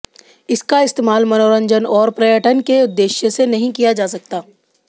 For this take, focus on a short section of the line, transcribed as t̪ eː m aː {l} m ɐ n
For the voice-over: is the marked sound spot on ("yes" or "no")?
yes